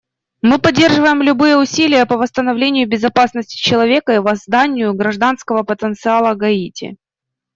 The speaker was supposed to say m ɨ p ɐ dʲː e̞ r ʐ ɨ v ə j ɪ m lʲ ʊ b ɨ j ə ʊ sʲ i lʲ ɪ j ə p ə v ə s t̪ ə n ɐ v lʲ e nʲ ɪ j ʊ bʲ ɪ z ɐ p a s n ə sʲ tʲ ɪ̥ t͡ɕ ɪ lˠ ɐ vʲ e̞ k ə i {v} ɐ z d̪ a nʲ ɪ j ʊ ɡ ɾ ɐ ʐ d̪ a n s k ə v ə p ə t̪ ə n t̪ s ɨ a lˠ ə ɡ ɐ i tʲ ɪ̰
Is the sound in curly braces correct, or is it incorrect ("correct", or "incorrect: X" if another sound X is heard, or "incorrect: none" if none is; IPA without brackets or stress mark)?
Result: correct